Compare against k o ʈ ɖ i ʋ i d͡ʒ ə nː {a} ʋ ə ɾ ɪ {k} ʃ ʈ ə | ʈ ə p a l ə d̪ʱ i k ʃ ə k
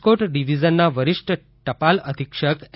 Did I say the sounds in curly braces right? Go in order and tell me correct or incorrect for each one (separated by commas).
correct, incorrect